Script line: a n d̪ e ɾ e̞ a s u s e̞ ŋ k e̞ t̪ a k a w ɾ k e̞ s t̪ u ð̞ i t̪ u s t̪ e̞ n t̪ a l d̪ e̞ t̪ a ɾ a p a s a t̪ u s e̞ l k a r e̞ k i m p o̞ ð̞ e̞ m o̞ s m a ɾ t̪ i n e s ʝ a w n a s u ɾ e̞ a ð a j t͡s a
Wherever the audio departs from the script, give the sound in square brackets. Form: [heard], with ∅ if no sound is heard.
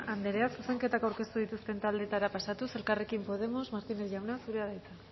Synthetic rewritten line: a n d̪ e ɾ e̞ a s u s e̞ ŋ k e̞ t̪ a k a w ɾ k e̞ s t̪ u ð̞ i t̪ u s t̪ e̞ n t̪ a l d̪ e̞ t̪ a ɾ a p a s a t̪ u s e̞ l k a r e̞ k i m p o̞ ð̞ e̞ m o̞ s m a ɾ t̪ i n e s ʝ a w n a s u ɾ e̞ a ð a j t͡s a

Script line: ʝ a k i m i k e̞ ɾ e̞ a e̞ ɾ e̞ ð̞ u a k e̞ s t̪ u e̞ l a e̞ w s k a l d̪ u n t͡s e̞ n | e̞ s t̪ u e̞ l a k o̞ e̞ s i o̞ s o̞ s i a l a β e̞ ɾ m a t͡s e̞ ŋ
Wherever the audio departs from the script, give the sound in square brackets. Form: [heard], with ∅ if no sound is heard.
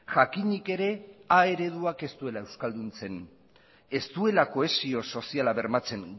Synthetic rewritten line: ʝ a k i [ɲ] i k e̞ ɾ e̞ a e̞ ɾ e̞ ð̞ u a k e̞ s t̪ u e̞ l a e̞ w s k a l d̪ u n t͡s e̞ n | e̞ s t̪ u e̞ l a k o̞ e̞ s i o̞ s o̞ s i a l a β e̞ ɾ m a t͡s e̞ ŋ

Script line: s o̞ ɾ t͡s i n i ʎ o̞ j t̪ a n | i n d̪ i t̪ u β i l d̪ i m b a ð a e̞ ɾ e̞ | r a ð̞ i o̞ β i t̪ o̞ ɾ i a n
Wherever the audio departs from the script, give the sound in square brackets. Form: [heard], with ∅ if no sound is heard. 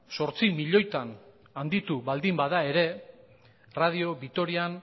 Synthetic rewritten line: s o̞ ɾ t͡s i [m] i ʎ o̞ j t̪ a n | [a] n d̪ i t̪ u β [a] l d̪ i m b a ð a e̞ ɾ e̞ | r a ð̞ i o̞ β i t̪ o̞ ɾ i a n

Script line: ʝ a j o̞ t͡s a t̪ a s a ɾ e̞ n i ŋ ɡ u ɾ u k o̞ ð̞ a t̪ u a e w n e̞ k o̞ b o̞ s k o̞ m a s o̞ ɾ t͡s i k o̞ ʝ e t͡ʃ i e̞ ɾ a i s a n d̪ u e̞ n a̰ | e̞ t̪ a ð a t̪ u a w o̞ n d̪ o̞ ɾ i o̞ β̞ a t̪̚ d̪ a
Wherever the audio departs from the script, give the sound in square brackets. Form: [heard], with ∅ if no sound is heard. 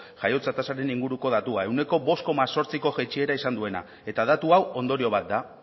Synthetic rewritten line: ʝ a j o̞ t͡s a t̪ a s a ɾ e̞ n i ŋ ɡ u ɾ u k o̞ ð̞ a t̪ u a e w n e̞ k o̞ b o̞ s k o̞ m a s o̞ ɾ t͡s i k o̞ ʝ e t͡ʃ i e̞ ɾ a i s a n d̪ u e̞ n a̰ | e̞ t̪ a ð a t̪ u a w o̞ n d̪ o̞ ɾ i o̞ β̞ a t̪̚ d̪ a

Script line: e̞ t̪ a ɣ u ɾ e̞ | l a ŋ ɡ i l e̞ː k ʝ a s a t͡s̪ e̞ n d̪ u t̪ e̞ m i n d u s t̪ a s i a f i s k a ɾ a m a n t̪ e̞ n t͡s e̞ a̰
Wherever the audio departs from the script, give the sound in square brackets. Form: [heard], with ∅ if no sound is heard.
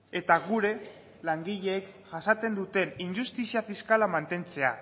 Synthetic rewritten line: e̞ t̪ a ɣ u ɾ e̞ | l a ŋ ɡ i [ʎ] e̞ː k ʝ a s a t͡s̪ e̞ n d̪ u t̪ e̞ [n] i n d u s t̪ [i] s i a f i s k a [l] a m a n t̪ e̞ n t͡s e̞ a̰

